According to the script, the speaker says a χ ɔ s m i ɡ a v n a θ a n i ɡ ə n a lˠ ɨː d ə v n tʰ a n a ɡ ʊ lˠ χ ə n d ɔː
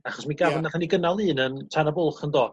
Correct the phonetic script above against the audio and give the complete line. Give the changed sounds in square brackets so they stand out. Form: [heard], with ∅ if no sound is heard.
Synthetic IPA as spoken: a χ ɔ s m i ɡ a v n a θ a n i ɡ ə n a lˠ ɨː [n] ə [∅] n tʰ a n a [b] ʊ lˠ χ ə n d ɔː

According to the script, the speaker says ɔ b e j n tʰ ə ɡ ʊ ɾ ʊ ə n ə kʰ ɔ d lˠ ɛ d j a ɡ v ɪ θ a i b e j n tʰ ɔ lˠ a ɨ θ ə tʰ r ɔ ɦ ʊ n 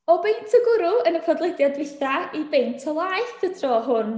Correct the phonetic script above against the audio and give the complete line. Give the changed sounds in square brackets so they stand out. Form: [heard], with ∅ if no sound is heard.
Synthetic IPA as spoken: ɔ b e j n tʰ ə ɡ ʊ ɾ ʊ ə n ə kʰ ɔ d lˠ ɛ d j a [d] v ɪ θ a i b e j n tʰ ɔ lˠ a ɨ θ ə tʰ r ɔ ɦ ʊ n

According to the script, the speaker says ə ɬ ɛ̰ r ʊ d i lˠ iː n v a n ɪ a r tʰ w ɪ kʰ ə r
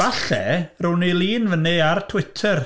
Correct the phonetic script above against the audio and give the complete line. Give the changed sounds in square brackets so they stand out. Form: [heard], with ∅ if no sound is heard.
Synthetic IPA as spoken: [a] ɬ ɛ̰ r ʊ [n] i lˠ iː n v [ə] n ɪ a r tʰ w ɪ [tʰ] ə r

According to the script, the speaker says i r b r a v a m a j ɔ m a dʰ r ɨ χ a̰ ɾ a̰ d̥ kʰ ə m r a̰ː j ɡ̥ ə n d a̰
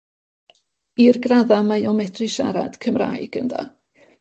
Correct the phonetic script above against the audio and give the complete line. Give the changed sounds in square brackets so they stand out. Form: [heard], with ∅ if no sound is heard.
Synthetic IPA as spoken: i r [ɡ] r a [ð] a m a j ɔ m [ɛ] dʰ r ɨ [ʃ] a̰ ɾ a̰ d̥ kʰ ə m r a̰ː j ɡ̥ ə n d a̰

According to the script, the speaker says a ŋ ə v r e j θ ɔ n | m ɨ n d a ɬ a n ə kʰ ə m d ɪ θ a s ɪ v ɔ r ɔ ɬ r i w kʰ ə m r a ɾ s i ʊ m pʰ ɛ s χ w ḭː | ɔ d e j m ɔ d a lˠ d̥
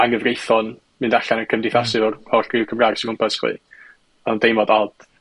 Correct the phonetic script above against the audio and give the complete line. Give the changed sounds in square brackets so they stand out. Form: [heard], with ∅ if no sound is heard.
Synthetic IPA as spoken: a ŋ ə v r e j θ ɔ n | m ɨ n d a ɬ a n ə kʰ ə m d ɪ θ a s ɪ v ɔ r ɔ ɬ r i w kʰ ə m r a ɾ s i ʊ m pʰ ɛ s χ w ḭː | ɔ d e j m ɔ d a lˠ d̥

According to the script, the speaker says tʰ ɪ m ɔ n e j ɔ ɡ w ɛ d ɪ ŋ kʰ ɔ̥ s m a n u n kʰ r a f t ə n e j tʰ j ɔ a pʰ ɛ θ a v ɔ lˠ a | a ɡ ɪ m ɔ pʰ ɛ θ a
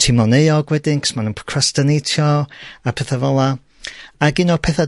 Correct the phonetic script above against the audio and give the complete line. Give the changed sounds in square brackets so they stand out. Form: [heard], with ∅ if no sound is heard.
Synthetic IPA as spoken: tʰ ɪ m ɔ n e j ɔ ɡ w ɛ d ɪ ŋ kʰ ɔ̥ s m a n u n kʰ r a [s] t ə n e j tʰ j ɔ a pʰ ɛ θ a v ɔ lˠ a | a ɡ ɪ [n] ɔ pʰ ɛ θ a

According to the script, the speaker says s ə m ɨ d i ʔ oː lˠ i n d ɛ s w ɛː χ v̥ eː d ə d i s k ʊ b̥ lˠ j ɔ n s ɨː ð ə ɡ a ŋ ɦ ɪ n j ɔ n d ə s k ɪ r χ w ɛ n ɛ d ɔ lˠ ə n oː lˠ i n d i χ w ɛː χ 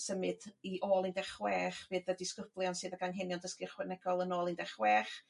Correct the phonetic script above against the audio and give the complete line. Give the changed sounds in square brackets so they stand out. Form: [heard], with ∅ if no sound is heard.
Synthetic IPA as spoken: s ə m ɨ d i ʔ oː lˠ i n d ɛ [χ] w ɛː χ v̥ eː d ə d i s k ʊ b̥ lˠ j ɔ n s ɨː ð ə ɡ a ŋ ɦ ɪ n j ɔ n d ə s k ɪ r χ w ɛ n ɛ [ɡ] ɔ lˠ ə n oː lˠ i n d [ɛ] χ w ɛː χ

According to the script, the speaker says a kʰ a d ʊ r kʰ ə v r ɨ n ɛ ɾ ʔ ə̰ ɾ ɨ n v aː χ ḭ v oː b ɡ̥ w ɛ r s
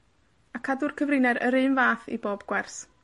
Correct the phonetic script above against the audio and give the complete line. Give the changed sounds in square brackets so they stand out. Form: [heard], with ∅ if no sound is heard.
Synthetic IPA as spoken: a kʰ a d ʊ r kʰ ə v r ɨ n ɛ ɾ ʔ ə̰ ɾ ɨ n v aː [θ] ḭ [b] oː b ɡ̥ w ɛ r s

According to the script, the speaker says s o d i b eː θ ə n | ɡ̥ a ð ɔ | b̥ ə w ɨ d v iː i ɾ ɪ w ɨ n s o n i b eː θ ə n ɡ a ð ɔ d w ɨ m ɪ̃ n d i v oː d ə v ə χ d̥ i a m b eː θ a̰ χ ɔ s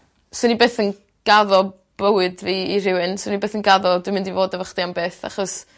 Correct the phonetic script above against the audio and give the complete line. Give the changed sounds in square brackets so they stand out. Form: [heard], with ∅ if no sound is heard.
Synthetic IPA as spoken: s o [n] i b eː θ ə n | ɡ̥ a ð ɔ | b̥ ə w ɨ d v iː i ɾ ɪ w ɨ n s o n i b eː θ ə n ɡ a ð ɔ d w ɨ m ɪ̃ n d i v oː d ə v ə χ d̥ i a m b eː θ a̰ χ ɔ s

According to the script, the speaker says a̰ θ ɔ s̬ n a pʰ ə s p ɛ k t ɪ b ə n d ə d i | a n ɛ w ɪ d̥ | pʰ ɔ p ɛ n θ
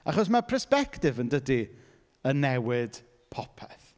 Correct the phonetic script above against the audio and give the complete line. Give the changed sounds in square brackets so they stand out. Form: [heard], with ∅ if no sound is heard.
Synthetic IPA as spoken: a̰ [χ] ɔ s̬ [m] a pʰ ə s p ɛ k t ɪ [v] ə n d ə d i | [ə] n ɛ w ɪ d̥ | pʰ ɔ [pʰ] ɛ [∅] θ

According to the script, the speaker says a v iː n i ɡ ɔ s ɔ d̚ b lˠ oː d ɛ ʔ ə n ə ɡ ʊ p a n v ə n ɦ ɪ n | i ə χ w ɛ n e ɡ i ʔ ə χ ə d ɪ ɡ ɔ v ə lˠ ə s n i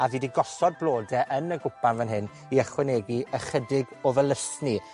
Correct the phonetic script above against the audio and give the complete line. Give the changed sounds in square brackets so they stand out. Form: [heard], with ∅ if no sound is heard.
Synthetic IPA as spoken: a v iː [d] i ɡ ɔ s ɔ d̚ b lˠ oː d ɛ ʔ ə n ə ɡ ʊ p a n v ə n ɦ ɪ n | i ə χ w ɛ n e ɡ i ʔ ə χ ə d ɪ ɡ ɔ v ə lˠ ə s n i

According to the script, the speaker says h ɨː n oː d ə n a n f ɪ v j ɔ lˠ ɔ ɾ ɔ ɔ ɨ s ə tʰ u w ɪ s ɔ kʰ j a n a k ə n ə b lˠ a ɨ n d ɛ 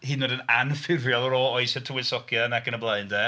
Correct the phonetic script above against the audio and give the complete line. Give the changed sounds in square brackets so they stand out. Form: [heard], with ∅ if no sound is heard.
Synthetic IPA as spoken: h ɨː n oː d ə n a n f ɪ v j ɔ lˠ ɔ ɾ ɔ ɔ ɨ s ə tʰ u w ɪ s ɔ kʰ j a n a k ə n ə b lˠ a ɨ n d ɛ

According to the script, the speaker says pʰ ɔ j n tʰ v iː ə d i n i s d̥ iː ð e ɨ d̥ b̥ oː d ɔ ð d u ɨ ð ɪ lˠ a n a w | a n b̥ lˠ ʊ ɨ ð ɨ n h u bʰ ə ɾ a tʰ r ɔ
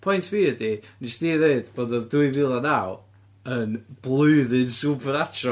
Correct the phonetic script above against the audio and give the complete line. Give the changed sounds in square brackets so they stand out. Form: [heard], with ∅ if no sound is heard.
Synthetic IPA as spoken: pʰ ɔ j n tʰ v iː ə d i n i s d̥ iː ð e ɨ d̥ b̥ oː d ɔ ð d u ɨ [v] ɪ lˠ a n a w | [ə] n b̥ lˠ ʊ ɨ ð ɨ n [s] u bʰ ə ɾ a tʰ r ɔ

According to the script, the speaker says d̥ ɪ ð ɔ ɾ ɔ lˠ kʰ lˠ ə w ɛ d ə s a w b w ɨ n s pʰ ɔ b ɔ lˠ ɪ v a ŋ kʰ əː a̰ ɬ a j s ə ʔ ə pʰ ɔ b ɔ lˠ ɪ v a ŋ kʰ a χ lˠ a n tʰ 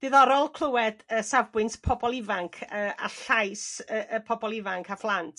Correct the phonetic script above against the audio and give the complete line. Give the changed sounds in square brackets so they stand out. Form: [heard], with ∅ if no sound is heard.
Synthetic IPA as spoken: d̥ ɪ ð ɔ ɾ ɔ lˠ kʰ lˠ ə w ɛ d ə s a [v] b w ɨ n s pʰ ɔ b ɔ lˠ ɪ v a ŋ kʰ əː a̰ ɬ a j s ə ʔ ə pʰ ɔ b ɔ lˠ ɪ v a ŋ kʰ a [f] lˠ a n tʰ

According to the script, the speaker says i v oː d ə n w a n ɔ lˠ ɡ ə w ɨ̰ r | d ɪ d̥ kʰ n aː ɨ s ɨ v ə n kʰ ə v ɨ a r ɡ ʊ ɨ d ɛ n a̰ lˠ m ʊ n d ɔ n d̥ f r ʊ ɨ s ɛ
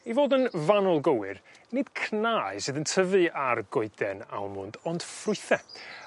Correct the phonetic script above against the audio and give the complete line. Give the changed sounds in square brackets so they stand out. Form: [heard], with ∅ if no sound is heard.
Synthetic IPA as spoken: i v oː d ə n [v] a n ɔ lˠ ɡ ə w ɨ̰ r | [n] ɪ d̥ kʰ n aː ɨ s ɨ [ð] ə n [tʰ] ə v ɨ a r ɡ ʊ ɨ d ɛ n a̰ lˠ m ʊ n d ɔ n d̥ f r ʊ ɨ [θ] ɛ

